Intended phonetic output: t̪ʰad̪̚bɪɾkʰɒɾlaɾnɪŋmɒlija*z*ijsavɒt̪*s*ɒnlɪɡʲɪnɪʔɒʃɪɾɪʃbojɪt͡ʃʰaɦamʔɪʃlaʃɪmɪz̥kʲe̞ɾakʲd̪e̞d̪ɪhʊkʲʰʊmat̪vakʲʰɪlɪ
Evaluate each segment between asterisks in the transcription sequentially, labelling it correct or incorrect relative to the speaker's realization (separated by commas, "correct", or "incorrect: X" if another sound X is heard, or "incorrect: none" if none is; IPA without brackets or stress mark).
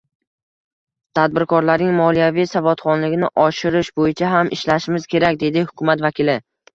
incorrect: v, incorrect: χ